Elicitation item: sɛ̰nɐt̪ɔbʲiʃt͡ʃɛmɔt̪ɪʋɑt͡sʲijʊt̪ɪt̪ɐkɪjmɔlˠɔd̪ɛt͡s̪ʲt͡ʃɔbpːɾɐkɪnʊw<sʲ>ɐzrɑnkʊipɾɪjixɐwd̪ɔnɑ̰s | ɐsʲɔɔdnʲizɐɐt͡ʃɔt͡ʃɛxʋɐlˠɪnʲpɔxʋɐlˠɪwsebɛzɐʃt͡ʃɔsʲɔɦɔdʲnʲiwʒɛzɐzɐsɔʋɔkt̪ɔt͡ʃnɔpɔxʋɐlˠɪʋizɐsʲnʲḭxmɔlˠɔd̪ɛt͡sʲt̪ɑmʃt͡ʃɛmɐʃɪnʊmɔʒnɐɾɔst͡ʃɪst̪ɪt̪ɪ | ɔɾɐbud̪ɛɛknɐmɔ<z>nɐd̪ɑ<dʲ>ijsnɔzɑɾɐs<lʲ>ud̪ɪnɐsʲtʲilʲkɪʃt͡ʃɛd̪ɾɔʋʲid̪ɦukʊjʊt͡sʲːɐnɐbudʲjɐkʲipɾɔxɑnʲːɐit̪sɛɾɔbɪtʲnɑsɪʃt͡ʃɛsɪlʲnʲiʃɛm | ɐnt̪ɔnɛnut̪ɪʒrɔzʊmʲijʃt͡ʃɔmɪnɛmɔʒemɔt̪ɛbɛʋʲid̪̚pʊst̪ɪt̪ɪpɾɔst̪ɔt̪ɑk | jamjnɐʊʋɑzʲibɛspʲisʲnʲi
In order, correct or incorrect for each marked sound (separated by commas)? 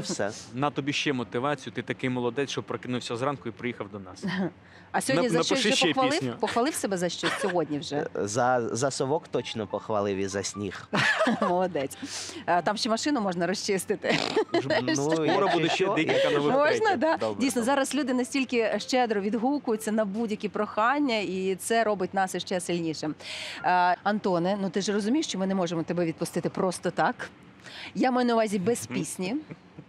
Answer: correct, incorrect, correct, correct